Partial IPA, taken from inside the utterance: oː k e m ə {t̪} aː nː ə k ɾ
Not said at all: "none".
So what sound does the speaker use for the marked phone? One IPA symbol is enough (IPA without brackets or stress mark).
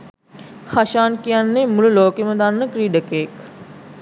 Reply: d̪